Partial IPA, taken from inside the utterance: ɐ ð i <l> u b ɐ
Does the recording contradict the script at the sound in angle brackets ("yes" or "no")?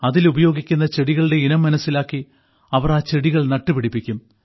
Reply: no